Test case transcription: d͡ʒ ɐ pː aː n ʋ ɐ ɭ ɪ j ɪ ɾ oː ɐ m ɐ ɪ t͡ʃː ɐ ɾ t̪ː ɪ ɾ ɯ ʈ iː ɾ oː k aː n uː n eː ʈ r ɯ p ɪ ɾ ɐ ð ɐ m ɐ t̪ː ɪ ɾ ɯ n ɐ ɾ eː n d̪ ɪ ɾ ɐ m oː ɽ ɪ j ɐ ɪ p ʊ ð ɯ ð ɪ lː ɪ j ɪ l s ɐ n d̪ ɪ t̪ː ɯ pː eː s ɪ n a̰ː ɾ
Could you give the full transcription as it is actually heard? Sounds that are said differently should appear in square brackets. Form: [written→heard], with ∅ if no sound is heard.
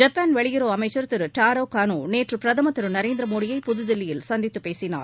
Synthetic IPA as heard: d͡ʒ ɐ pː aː n ʋ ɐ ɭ ɪ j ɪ ɾ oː ɐ m ɐ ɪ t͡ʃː ɐ ɾ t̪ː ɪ ɾ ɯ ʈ [iː→aː] ɾ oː k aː n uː n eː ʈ r ɯ p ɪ ɾ ɐ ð ɐ m ɐ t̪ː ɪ ɾ ɯ n ɐ ɾ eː n d̪ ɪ ɾ ɐ m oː ɽ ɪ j ɐ ɪ p ʊ ð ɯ ð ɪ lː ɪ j ɪ l s ɐ n d̪ ɪ t̪ː ɯ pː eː s ɪ n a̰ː ɾ